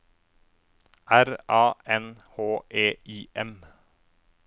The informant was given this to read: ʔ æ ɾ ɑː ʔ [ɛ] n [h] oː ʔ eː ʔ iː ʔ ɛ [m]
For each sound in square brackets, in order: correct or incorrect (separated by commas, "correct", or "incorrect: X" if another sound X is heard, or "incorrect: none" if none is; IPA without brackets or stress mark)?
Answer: correct, correct, correct